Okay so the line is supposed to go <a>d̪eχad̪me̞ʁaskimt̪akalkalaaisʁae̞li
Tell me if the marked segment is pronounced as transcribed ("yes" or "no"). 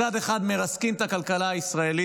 yes